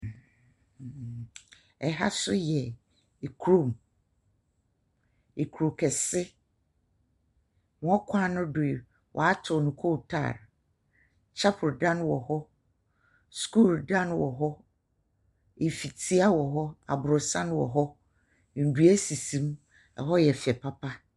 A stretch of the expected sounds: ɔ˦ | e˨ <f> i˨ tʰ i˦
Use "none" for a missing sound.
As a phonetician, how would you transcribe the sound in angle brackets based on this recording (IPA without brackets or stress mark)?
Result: f